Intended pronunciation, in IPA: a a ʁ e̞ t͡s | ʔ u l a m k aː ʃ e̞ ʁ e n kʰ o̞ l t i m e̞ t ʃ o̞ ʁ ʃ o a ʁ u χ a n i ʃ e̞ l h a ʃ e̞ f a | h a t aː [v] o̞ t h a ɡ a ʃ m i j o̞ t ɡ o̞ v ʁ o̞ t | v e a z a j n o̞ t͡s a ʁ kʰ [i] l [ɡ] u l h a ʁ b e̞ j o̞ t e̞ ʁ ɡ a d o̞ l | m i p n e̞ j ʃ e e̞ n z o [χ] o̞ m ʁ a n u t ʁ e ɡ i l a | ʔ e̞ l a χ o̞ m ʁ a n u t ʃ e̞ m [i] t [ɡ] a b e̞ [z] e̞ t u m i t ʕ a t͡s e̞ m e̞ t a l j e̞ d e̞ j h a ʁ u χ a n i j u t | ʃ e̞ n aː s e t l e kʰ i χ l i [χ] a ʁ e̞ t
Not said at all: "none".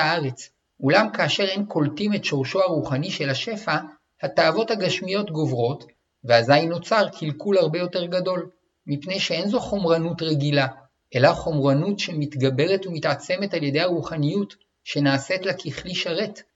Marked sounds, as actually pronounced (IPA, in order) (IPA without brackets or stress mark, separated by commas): v, i, k, χ, i, ɡ, ʁ, ʃ